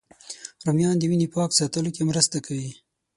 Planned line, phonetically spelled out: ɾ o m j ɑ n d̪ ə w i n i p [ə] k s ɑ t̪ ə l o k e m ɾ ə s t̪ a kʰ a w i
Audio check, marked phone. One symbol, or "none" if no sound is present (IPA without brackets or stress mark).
ɑ